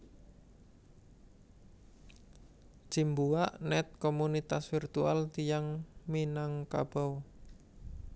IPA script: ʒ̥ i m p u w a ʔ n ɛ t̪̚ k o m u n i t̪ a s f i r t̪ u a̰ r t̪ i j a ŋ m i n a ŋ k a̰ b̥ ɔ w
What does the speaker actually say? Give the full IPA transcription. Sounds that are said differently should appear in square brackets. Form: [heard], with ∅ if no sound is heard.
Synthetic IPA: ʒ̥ i m [b] u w a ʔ n ɛ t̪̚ k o m u n i t̪ a s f i r t̪ u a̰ [l] t̪ i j a ŋ m i n a ŋ k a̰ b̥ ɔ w